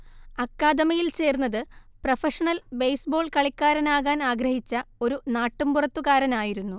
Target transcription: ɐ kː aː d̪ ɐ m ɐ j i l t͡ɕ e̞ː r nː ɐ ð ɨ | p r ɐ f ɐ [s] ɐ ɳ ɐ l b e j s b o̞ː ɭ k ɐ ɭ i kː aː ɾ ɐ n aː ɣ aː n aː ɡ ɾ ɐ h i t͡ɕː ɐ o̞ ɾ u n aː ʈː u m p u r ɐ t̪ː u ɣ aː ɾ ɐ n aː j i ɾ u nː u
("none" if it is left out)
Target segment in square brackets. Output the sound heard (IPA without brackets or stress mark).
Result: ʂ